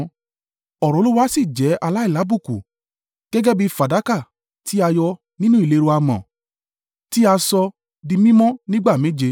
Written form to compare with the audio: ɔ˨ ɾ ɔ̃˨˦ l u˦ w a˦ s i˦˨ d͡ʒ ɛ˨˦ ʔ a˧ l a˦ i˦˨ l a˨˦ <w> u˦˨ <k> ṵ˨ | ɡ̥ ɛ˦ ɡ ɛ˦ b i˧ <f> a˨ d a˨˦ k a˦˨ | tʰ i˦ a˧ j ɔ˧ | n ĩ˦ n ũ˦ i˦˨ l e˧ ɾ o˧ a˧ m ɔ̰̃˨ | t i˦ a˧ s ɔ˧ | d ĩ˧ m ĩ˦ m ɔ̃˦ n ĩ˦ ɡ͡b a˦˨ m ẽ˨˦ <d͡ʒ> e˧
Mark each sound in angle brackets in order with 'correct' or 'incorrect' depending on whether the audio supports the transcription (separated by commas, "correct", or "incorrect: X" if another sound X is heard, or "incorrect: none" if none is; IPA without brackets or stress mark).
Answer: incorrect: b, correct, correct, correct